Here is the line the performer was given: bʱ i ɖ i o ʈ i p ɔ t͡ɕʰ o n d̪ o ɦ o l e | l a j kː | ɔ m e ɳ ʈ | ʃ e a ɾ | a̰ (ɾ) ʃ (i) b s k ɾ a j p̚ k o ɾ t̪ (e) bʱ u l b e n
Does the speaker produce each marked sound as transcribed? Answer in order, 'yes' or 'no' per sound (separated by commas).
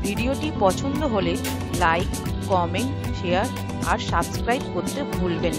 yes, no, yes